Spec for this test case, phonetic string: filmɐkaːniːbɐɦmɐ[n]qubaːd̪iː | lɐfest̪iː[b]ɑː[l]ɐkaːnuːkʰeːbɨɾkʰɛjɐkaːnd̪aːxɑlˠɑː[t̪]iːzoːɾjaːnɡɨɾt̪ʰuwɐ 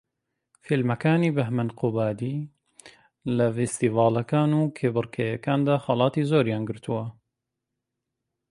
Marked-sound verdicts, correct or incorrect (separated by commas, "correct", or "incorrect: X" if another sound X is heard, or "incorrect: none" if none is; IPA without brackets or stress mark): correct, incorrect: v, correct, correct